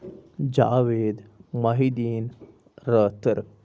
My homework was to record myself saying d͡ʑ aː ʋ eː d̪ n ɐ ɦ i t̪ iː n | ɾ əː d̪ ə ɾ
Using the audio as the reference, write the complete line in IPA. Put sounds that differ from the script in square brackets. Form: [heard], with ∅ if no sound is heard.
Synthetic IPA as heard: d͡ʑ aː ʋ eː d̪ [m] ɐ ɦ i [d̪] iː n | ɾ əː [t̪] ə ɾ